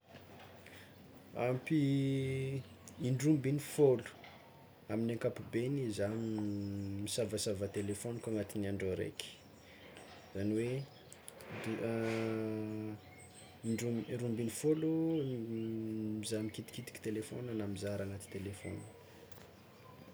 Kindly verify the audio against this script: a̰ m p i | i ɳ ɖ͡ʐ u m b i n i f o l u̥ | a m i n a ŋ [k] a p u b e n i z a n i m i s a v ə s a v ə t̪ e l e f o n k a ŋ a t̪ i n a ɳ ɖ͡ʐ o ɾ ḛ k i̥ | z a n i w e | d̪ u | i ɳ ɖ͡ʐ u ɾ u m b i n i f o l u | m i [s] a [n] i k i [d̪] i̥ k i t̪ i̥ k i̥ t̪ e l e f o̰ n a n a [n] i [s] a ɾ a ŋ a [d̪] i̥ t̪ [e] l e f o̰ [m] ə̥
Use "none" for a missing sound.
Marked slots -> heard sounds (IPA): k, z, m, t̪, m, z, t̪, e, n

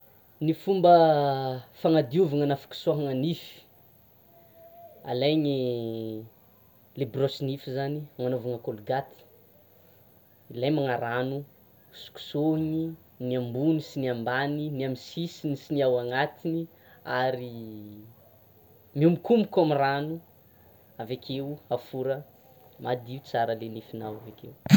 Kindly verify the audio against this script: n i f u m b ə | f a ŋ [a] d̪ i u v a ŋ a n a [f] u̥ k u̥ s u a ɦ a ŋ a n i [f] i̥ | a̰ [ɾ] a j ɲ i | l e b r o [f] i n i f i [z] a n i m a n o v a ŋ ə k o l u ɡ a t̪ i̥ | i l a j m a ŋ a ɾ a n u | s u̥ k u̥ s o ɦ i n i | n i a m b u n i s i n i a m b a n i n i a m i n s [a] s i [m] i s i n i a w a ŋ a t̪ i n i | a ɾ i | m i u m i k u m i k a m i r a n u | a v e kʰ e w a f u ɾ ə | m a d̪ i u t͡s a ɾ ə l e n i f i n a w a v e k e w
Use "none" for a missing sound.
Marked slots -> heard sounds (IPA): a, f, f, l, s, z, i, n

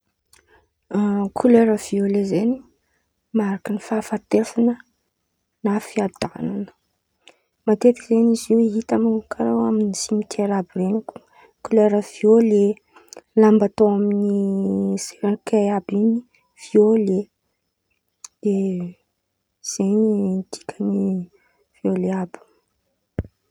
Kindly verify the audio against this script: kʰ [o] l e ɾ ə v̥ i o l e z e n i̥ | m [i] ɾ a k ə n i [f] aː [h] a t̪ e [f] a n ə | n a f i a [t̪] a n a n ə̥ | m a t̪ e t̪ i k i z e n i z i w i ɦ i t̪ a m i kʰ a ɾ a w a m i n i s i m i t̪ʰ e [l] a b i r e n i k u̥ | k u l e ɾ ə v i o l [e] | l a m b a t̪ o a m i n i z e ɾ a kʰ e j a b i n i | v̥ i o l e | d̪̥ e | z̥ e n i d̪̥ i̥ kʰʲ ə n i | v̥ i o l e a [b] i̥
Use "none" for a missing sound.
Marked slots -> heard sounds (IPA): u, a, f, f, f, d̪, ɾ, e, b

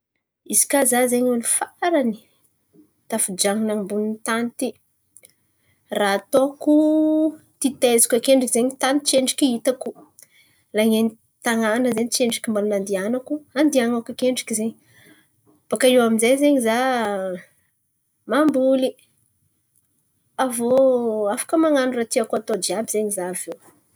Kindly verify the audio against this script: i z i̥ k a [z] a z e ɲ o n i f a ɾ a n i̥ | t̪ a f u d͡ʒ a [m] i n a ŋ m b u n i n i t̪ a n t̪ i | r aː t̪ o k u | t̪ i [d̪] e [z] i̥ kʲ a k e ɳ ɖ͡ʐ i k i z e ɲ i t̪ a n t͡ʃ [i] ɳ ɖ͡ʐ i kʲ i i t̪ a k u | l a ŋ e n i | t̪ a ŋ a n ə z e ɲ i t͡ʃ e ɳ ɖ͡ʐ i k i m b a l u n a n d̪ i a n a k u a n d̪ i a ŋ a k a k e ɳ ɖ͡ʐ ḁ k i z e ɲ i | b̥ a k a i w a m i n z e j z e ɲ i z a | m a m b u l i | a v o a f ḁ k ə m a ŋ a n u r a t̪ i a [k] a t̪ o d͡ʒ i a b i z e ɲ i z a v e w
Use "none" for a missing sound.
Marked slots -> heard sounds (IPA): z, ŋ, t̪, z, e, k

